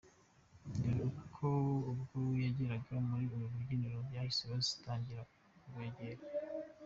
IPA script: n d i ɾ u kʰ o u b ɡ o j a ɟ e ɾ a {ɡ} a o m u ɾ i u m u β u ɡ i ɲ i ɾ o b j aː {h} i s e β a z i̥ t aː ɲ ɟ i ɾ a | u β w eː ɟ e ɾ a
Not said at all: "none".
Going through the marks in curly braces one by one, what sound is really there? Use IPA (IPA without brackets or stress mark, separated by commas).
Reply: ɡ, h